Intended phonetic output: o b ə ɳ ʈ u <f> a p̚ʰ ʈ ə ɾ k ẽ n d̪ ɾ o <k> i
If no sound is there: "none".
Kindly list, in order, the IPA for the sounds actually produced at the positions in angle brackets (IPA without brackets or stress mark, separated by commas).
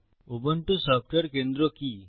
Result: s, k